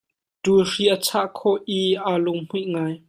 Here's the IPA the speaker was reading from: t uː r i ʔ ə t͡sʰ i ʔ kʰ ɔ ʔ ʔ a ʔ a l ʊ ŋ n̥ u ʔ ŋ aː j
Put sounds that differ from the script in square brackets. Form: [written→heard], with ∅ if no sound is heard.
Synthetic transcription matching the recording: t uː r i ʔ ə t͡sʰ [i→a] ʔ kʰ ɔ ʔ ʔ [a→i] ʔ a l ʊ ŋ [n̥→m̥] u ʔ ŋ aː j